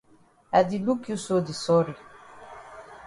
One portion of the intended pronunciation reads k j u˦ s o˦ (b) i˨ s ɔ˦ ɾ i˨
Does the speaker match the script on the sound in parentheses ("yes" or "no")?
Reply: no